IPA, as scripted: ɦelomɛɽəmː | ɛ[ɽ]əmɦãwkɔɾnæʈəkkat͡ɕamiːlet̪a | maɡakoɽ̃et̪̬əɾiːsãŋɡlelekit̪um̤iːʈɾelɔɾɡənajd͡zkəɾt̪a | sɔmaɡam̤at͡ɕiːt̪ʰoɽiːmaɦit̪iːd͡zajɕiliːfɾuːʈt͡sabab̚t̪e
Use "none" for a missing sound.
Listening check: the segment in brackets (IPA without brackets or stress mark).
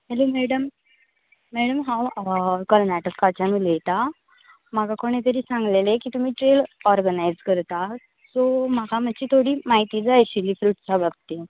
ɽ